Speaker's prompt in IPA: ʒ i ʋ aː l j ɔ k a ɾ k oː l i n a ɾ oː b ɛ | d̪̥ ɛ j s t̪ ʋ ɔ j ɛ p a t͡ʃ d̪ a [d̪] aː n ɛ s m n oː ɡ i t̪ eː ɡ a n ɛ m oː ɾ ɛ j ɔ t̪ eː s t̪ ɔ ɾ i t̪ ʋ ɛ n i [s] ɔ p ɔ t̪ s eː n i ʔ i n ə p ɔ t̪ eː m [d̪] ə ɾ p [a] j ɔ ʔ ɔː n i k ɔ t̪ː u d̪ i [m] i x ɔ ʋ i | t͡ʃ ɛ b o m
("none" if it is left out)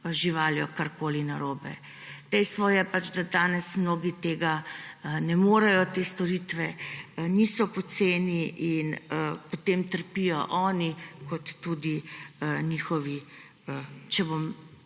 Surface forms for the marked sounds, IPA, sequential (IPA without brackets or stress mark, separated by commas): d̪, s, t̪, i, n